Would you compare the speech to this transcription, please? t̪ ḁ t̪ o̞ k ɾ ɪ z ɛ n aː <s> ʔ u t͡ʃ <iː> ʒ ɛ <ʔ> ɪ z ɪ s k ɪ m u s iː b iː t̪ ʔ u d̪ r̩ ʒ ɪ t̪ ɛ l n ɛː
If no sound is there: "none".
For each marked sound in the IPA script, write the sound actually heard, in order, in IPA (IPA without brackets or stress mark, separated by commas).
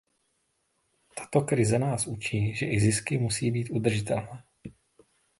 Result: s, iː, ʔ